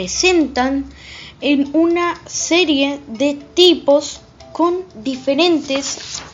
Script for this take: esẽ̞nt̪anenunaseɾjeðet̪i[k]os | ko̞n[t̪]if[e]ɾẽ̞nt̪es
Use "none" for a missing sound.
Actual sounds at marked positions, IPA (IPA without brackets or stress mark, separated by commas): p, d̪, e